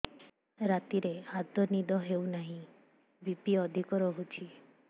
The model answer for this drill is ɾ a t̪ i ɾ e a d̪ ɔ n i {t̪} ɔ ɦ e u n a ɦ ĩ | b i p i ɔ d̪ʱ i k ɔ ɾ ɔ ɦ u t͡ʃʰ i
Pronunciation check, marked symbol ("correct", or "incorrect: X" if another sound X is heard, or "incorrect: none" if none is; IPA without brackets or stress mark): incorrect: d̪